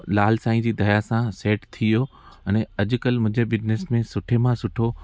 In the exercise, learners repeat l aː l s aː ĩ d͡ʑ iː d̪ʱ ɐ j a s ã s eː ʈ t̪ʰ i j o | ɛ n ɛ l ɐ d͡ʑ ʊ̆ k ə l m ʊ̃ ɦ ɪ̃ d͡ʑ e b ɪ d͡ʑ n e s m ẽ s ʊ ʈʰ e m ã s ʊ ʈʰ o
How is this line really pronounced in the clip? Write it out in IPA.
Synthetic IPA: l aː l s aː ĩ d͡ʑ iː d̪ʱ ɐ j a s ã s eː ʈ t̪ʰ i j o | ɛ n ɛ ɐ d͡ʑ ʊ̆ k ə l m ʊ̃ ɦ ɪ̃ d͡ʑ e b ɪ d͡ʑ n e s m ẽ s ʊ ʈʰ e m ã s ʊ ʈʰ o